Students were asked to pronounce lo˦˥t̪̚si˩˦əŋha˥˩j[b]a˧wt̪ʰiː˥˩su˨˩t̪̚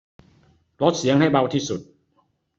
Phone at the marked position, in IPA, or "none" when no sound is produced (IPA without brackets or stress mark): b